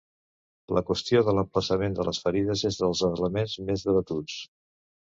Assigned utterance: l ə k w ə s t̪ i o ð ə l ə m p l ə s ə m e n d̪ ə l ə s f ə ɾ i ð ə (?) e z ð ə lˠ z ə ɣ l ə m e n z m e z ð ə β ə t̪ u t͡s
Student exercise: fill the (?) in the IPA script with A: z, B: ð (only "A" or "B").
A